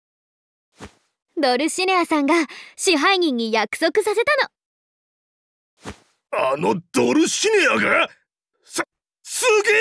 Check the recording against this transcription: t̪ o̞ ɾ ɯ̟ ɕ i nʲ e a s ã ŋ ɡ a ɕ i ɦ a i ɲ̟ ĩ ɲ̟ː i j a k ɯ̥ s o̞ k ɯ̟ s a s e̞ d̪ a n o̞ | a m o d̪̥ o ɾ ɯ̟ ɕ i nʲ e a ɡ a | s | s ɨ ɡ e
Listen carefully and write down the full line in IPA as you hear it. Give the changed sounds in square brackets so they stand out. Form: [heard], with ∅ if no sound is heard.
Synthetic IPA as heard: [d̪] o̞ ɾ ɯ̟ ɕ i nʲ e a s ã ŋ ɡ a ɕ i ɦ a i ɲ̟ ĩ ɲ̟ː i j a k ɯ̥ s o̞ k ɯ̟ s a s e̞ [t̪] a n o̞ | a [n] o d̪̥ o ɾ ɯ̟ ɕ i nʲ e a ɡ a | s | s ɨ ɡ e